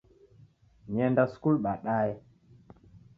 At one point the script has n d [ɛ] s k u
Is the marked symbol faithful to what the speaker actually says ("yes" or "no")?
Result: no